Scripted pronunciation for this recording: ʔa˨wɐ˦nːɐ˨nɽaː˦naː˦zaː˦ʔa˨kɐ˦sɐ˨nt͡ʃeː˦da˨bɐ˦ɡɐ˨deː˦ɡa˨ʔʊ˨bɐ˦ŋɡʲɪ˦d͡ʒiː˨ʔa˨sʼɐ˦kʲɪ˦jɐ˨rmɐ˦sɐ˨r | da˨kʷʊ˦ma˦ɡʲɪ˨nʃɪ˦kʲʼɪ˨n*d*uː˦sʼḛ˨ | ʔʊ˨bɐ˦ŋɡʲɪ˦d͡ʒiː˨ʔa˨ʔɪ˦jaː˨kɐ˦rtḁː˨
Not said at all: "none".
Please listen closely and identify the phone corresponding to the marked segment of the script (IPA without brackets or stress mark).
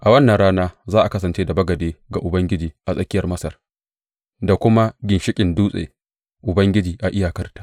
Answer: d